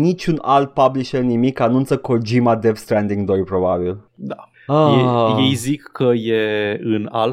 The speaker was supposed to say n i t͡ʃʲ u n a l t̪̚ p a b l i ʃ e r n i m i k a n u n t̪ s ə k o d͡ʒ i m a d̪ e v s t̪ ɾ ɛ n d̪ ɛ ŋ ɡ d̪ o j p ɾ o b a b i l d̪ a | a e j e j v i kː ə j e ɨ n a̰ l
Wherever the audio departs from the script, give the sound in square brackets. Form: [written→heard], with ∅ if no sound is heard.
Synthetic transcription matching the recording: n i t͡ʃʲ u n a l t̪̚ p a b l i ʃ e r n i m i k a n u n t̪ s ə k o d͡ʒ i m a d̪ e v s t̪ ɾ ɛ n d̪ [ɛ→i] ŋ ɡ d̪ o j p ɾ o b a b i l d̪ a | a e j e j [v→z] i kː ə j e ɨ n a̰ l